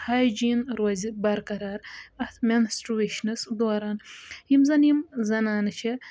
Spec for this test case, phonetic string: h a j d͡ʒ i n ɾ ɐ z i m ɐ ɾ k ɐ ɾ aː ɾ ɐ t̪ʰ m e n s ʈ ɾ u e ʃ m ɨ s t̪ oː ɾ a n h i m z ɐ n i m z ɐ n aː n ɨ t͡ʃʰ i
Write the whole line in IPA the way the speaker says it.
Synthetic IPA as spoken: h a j d͡ʒ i n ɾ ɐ z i b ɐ ɾ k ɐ ɾ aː ɾ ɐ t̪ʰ m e n s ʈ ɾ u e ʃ n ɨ s d̪ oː ɾ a n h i m z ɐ n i m z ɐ n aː n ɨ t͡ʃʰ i